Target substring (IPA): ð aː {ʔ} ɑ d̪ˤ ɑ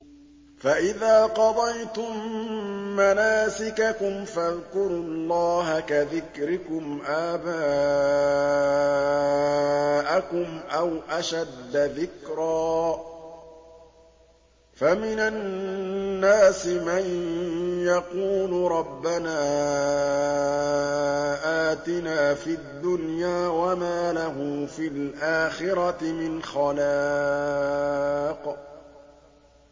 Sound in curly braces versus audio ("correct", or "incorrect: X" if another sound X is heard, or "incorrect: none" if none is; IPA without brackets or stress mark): incorrect: q